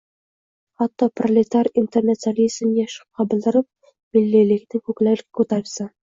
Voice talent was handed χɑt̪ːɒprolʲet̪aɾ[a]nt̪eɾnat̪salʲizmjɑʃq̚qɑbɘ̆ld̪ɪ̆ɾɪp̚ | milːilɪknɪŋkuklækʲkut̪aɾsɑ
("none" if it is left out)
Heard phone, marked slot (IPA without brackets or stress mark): i